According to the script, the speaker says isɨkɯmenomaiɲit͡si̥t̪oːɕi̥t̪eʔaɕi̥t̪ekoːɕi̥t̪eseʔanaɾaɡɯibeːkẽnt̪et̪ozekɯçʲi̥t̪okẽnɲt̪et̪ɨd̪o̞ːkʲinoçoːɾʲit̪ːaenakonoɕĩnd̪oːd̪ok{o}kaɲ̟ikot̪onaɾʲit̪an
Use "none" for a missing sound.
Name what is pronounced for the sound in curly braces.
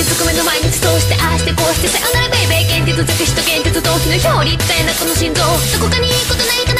o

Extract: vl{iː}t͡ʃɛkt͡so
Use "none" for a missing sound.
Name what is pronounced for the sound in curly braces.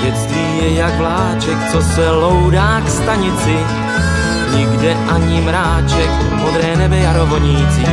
aː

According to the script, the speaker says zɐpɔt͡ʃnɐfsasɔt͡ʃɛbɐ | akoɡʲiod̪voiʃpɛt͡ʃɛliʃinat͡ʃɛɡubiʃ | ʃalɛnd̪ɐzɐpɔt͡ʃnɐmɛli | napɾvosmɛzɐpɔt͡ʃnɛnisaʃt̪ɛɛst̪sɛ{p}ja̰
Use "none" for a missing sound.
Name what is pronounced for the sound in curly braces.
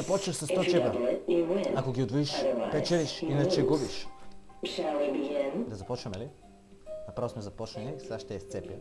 p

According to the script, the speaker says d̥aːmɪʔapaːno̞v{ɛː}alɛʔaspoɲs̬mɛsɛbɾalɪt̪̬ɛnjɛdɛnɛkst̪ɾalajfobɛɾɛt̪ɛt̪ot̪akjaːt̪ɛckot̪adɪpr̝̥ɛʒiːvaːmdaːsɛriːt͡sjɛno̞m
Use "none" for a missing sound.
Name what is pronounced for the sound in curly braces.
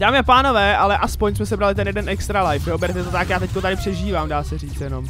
ɛː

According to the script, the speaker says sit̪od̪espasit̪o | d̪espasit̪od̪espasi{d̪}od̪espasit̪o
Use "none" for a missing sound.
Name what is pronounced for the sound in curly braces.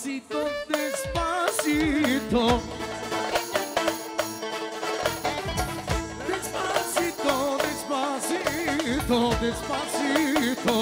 t̪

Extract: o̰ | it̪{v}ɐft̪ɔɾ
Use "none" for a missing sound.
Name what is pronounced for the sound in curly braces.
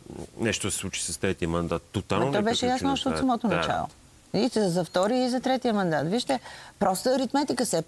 z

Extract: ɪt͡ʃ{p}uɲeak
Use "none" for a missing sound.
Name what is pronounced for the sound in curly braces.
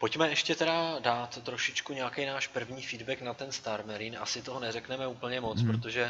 k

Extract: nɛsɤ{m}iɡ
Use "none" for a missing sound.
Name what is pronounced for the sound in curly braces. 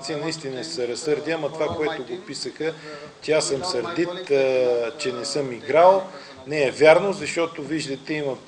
m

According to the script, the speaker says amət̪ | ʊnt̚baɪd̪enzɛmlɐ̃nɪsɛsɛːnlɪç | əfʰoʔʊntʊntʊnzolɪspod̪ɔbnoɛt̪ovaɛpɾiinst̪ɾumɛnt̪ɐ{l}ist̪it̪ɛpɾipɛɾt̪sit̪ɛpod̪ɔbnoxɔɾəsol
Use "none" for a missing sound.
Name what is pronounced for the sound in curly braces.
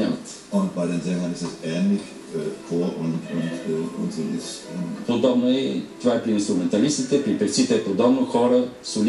l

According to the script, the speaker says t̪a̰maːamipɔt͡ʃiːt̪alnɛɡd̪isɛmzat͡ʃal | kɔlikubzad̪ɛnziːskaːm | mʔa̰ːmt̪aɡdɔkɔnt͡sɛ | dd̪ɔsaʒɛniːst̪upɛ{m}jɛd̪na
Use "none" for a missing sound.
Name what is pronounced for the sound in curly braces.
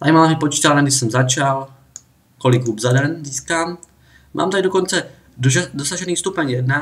ɲ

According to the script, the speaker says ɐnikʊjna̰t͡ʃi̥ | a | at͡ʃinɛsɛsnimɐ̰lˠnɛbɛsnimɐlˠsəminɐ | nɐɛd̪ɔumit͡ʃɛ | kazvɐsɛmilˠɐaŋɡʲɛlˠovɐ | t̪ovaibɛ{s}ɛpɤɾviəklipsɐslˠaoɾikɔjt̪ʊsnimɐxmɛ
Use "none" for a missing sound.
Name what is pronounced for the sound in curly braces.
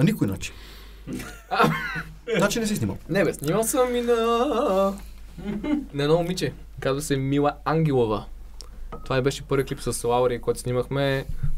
ʃ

